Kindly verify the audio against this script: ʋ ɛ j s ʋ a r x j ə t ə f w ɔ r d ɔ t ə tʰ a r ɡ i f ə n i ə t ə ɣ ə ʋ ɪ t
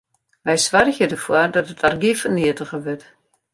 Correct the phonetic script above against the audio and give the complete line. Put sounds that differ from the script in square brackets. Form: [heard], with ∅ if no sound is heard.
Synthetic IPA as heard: ʋ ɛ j s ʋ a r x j ə [d] ə f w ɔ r d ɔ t ə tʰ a r ɡ i f ə n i ə t ə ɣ ə ʋ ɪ t